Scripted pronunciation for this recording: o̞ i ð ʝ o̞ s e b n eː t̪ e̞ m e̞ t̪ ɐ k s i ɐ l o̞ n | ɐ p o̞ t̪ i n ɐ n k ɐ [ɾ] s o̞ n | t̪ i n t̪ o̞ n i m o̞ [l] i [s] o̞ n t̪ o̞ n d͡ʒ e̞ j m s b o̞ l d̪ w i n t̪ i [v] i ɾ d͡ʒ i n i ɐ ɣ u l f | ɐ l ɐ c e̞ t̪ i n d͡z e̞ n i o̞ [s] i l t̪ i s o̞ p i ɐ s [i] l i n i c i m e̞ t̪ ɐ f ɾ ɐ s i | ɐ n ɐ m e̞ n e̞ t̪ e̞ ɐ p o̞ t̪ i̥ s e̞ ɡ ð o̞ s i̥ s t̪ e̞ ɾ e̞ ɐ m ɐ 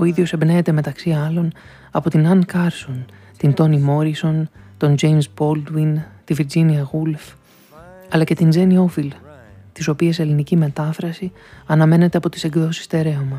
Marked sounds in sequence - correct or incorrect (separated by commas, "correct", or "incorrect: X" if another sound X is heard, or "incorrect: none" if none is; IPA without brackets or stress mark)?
correct, incorrect: ɾ, correct, correct, incorrect: f, incorrect: e